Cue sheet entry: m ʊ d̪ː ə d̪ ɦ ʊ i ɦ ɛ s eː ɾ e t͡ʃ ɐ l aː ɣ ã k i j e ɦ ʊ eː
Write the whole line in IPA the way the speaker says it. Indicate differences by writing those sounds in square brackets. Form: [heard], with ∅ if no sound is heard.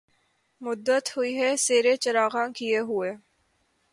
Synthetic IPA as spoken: m ʊ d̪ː ə [t̪] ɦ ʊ i ɦ ɛ s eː ɾ e t͡ʃ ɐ [ɾ] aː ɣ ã k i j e ɦ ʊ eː